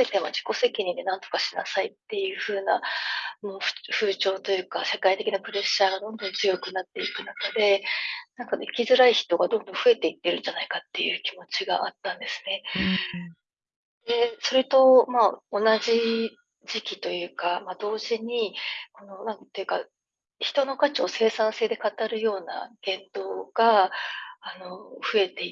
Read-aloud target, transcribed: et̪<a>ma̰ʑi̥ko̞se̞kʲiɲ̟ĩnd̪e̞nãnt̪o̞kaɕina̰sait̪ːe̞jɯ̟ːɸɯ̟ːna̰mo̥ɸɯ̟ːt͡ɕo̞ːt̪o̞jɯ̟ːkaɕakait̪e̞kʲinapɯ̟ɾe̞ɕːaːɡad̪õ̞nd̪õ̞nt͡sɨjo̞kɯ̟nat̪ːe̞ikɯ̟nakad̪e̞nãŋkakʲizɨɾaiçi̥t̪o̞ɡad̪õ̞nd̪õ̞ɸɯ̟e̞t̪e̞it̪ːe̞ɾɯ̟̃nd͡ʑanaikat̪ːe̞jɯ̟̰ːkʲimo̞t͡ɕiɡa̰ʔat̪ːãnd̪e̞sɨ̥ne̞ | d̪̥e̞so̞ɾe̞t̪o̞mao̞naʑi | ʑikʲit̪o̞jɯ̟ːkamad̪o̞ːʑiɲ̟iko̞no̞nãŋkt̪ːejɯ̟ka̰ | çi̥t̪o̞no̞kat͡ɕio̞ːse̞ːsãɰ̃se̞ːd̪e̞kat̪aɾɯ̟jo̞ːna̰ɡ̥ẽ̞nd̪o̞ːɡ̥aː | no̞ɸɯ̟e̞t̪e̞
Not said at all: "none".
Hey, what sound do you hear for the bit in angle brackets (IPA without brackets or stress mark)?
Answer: e